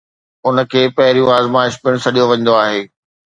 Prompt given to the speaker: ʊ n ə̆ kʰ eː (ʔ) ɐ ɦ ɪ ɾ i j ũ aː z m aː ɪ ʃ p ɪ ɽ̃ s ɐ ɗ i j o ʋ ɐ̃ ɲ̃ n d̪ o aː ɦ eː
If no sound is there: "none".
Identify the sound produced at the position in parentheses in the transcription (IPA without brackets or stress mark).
p